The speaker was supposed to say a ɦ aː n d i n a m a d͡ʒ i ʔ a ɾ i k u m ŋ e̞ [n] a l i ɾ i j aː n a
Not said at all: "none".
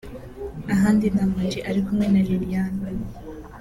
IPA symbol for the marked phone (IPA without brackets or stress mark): n